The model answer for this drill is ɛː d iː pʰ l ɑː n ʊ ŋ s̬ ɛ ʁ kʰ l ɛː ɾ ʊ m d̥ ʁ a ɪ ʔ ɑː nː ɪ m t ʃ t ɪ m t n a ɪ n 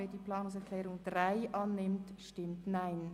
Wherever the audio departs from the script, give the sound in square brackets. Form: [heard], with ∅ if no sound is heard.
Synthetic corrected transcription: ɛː d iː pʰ l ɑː n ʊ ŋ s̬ ɛ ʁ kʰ l ɛː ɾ ʊ [ŋ] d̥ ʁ a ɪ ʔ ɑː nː ɪ m t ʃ t ɪ m t n a ɪ n